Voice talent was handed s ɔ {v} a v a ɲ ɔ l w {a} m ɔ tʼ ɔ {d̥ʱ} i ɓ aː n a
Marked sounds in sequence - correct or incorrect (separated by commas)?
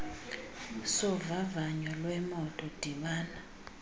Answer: correct, incorrect, correct